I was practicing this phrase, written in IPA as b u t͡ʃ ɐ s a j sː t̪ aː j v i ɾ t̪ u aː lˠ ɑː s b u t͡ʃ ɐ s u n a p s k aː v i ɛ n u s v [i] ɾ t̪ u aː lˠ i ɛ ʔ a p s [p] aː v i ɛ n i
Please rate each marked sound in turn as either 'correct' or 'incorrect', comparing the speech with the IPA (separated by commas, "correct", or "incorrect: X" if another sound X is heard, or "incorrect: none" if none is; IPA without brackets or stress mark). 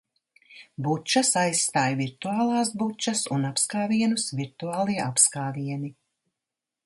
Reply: correct, incorrect: k